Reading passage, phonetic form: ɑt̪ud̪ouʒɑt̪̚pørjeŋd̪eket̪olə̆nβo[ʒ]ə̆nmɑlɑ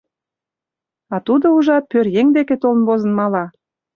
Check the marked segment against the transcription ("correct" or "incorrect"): incorrect